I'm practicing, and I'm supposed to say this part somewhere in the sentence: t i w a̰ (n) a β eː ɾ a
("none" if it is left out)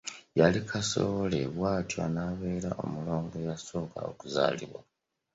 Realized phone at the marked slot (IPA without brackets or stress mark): n